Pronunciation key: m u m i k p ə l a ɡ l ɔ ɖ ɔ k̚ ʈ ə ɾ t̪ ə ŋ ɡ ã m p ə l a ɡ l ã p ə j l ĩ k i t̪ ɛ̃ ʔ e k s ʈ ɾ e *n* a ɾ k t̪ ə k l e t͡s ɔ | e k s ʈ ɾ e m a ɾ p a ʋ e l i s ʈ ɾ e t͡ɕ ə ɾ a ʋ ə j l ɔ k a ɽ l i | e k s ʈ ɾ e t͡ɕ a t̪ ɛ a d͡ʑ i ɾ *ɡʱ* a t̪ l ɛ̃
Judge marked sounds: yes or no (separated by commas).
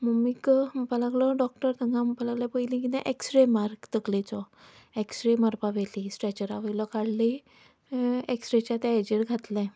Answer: no, yes